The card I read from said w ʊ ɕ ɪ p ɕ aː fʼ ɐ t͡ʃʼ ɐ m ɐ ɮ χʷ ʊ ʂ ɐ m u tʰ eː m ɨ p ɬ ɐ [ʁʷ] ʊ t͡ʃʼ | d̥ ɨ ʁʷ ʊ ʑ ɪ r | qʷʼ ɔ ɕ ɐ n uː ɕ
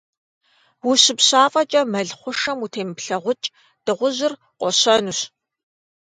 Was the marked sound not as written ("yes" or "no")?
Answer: no